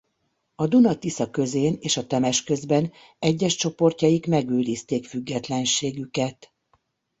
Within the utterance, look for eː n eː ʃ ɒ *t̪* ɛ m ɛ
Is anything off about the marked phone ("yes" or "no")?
no